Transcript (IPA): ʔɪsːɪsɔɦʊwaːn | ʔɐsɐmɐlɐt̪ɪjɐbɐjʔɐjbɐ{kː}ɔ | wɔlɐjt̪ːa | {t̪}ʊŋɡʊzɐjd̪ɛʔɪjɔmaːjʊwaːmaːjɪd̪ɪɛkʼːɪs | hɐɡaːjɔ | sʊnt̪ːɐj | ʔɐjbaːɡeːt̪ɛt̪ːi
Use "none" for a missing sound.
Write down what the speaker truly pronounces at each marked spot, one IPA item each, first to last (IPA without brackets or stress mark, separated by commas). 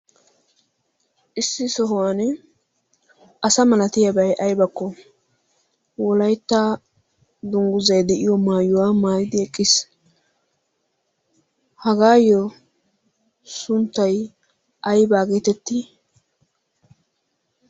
kː, d̪